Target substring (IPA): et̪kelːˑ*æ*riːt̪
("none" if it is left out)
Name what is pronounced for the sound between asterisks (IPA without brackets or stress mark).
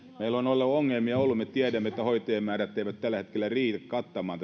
æ